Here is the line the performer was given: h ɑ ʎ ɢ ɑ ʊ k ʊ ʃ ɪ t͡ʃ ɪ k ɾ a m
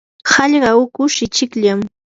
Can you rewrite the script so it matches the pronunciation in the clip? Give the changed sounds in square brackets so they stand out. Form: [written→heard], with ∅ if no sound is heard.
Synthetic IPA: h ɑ ʎ ɢ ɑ ʊ k ʊ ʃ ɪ t͡ʃ ɪ k [ɾ→ʎ] a m